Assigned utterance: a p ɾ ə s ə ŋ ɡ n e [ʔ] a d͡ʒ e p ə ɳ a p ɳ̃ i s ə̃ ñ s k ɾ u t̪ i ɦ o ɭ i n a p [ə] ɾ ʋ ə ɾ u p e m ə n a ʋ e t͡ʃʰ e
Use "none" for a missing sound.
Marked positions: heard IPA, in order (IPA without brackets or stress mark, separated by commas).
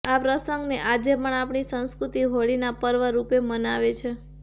ʔ, ə